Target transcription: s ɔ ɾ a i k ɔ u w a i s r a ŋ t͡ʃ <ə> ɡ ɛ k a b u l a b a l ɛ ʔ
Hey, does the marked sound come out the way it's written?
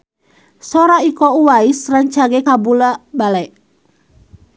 no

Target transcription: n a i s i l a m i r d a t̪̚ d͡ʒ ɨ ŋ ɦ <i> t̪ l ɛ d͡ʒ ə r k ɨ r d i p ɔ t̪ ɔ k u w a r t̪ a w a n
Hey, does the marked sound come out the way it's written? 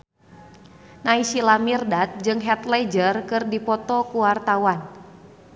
no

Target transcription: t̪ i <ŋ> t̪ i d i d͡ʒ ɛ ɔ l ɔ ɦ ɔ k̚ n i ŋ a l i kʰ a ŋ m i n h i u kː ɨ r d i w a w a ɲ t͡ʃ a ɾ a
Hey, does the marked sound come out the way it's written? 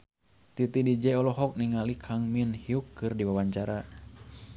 no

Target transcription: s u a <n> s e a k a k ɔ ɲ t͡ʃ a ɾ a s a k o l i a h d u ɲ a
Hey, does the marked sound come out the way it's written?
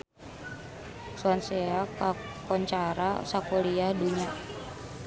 yes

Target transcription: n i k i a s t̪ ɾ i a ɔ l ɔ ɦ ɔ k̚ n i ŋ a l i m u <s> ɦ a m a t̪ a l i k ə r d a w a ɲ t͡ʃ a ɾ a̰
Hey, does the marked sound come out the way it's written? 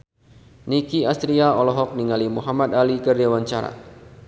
no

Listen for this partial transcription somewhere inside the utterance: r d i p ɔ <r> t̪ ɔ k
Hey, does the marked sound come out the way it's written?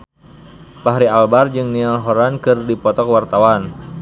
no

